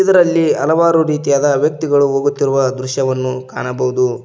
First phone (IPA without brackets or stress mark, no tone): i